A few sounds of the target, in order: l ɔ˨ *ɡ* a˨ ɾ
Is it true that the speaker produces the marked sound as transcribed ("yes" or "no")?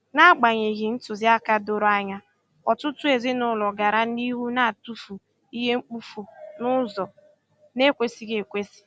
yes